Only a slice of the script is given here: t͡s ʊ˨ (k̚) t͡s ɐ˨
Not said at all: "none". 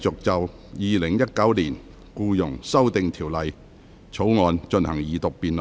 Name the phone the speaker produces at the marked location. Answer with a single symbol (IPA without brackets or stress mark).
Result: k̚